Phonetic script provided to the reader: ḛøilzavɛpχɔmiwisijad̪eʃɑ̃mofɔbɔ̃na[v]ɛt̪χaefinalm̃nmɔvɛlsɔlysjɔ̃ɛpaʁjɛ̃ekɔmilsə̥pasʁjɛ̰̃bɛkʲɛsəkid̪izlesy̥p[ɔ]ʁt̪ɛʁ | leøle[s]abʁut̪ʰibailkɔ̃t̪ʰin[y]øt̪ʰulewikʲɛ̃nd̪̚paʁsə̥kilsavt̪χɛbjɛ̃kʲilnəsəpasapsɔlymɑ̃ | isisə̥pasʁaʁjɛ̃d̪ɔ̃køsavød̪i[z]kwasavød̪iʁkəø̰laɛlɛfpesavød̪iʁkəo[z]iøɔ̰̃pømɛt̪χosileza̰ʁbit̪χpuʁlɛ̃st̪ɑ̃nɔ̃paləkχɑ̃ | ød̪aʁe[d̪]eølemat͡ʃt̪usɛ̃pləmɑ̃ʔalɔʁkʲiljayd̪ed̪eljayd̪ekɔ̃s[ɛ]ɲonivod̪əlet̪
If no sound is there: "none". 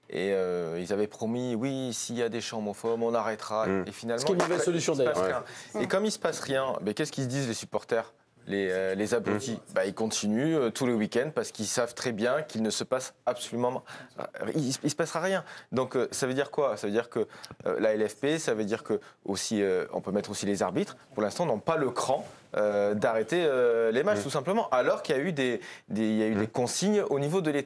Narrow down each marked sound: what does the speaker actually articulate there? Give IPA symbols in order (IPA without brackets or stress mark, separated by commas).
ʁ, ɔ, z, y, ʁ, s, t̪, i